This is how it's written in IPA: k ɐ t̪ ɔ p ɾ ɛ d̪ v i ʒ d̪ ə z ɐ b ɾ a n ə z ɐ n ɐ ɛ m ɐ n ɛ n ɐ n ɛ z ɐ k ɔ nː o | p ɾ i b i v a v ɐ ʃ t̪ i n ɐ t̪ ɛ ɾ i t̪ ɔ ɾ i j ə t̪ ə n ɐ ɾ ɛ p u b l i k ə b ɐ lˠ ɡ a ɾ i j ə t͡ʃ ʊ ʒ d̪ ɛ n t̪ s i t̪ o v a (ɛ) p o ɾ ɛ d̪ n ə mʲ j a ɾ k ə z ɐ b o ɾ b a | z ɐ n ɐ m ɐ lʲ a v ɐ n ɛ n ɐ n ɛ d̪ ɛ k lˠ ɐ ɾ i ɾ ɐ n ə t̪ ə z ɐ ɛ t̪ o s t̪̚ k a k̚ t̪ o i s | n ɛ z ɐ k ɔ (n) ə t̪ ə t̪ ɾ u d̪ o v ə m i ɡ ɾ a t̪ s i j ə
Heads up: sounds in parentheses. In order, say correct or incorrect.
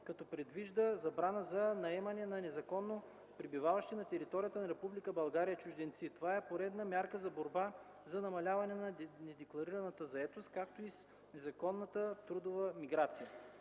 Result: correct, incorrect: nː

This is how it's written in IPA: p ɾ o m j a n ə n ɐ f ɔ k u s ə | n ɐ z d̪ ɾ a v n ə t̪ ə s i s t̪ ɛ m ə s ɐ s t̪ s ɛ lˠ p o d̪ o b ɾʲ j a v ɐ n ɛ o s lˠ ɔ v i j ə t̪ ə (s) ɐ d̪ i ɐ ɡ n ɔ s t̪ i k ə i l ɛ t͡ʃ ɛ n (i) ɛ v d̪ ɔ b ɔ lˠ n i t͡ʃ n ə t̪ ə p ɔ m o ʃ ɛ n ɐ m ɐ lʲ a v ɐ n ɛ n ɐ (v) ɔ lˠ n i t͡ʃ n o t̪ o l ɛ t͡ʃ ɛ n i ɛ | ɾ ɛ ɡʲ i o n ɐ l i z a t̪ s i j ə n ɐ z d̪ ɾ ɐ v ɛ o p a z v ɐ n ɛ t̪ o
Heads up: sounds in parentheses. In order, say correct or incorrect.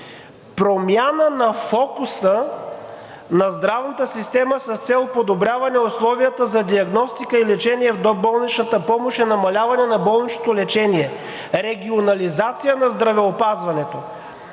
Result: incorrect: z, correct, incorrect: b

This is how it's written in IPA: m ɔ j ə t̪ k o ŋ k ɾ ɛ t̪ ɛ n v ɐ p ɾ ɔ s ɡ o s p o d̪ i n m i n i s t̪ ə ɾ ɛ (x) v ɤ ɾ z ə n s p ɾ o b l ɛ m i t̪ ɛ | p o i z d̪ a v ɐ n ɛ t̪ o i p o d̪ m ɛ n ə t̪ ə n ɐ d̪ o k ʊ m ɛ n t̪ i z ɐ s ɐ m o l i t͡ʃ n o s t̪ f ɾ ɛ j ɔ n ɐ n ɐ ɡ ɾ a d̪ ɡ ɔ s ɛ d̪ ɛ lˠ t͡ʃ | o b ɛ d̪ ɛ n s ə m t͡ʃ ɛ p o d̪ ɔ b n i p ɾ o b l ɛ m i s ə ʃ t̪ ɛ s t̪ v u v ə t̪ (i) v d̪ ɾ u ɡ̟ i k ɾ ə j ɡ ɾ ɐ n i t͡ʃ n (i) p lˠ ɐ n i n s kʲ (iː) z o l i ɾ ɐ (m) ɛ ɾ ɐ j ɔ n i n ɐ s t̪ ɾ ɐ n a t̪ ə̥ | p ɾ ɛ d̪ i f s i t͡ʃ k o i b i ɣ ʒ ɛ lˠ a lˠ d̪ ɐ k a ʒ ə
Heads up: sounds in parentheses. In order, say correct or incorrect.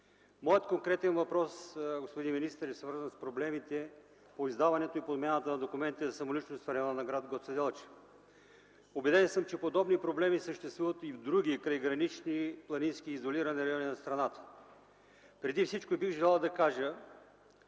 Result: incorrect: s, correct, correct, correct, incorrect: n

